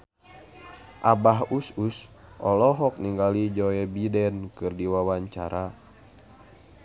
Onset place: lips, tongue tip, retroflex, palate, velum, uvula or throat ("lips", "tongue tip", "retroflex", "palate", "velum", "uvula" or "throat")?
throat